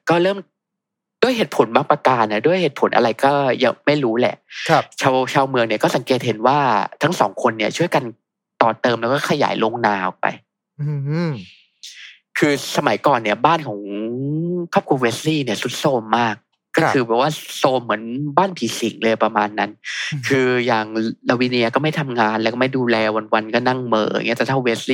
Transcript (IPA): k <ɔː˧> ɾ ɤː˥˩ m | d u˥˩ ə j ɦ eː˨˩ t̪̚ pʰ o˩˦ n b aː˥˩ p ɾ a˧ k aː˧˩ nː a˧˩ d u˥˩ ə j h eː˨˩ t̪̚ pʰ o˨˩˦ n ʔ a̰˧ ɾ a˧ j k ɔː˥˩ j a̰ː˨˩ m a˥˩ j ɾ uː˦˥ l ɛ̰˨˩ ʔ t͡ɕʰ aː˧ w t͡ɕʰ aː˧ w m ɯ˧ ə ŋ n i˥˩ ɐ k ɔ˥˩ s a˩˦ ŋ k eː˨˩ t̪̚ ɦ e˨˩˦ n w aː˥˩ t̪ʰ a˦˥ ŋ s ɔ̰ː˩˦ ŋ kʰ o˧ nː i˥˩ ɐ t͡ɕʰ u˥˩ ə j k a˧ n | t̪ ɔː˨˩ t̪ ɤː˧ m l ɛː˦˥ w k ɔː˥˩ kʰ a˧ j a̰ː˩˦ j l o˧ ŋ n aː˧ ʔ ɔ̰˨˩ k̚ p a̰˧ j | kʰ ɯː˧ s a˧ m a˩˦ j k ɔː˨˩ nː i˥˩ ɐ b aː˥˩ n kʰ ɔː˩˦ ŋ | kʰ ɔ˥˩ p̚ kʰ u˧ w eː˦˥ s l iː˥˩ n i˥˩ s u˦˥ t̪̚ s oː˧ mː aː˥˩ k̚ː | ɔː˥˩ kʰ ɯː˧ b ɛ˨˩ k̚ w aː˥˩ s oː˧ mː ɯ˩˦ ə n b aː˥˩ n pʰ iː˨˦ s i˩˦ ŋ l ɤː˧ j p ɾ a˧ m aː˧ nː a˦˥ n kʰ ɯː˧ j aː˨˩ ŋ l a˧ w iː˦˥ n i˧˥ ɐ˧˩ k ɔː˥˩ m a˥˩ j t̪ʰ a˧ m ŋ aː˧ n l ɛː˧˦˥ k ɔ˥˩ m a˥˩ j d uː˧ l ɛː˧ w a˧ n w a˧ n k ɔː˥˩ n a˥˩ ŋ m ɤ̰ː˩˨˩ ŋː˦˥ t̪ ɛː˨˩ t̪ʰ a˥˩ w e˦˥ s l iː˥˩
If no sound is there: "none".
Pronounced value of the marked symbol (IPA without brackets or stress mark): ɔː˥˩